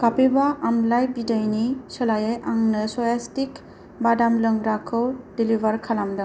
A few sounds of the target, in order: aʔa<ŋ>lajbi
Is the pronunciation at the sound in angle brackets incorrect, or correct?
incorrect